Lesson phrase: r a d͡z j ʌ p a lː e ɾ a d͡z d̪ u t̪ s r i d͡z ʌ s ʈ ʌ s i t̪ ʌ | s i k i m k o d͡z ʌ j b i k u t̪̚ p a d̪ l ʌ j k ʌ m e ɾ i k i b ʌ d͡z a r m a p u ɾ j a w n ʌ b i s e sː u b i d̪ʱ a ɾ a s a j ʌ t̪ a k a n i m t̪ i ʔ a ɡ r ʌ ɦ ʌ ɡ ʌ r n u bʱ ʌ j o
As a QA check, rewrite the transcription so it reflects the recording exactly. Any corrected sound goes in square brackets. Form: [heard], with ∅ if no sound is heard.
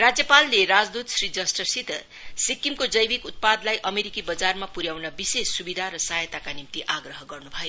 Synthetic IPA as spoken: r a d͡z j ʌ p a lː e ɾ a d͡z d̪ u t̪ s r i d͡z ʌ s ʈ ʌ s i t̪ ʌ | s i k i m k o d͡z ʌ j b i k u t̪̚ p a d̪ l [a] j [ʔ] ʌ m e ɾ i k i b ʌ d͡z a r m a p u ɾ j a w n ʌ b i s e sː u b i d̪ʱ a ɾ [ʌ] s a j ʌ t̪ a k a n i m t̪ i ʔ a ɡ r ʌ ɦ ʌ ɡ ʌ r n u bʱ ʌ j o